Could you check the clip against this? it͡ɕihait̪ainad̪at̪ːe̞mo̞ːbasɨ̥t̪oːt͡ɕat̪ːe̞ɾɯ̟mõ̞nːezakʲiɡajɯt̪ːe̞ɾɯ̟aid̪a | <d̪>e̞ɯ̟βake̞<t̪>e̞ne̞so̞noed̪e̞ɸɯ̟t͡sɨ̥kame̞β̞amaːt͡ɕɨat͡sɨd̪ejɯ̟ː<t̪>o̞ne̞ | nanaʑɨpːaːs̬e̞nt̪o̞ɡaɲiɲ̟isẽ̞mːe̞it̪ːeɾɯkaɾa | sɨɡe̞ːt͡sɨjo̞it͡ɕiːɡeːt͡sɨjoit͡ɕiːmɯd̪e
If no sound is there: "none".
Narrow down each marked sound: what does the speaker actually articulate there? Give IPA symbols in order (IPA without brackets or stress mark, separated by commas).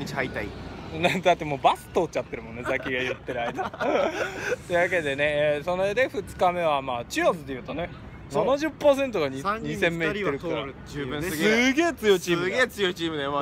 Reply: t̪, d̪, t̪